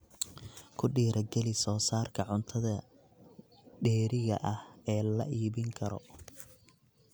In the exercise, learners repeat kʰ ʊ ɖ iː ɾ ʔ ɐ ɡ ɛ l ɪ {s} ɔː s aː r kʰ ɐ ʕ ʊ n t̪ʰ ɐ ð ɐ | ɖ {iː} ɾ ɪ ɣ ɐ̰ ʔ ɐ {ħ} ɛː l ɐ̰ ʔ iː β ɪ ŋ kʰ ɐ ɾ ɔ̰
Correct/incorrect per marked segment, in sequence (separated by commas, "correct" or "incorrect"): correct, incorrect, incorrect